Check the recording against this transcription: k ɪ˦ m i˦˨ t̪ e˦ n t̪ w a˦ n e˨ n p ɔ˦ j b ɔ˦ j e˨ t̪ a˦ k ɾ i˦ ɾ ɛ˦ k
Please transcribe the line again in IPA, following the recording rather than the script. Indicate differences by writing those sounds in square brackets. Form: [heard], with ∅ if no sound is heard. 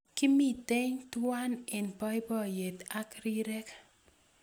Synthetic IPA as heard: k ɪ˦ m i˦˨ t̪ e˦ [ɲ] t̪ w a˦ n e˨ n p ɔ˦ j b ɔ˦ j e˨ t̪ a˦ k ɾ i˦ ɾ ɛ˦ k